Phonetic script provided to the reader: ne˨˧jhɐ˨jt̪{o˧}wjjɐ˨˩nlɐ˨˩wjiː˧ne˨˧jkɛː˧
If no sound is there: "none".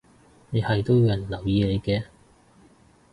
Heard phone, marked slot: o˥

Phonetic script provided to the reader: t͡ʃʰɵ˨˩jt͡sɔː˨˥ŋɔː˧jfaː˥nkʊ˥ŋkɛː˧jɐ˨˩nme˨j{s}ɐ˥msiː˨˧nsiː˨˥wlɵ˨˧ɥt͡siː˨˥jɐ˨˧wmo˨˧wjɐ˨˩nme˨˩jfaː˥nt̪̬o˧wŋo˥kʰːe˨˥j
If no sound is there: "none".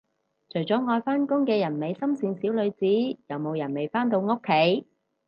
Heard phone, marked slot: s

